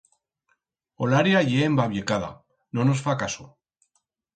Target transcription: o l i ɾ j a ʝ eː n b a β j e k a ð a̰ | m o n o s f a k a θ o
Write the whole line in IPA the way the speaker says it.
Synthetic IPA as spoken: o l a ɾ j a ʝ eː m b a β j e k a ð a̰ | n o n o s f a k a s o